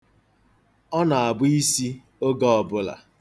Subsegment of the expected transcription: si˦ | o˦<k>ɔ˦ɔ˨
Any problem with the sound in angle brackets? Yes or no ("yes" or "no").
yes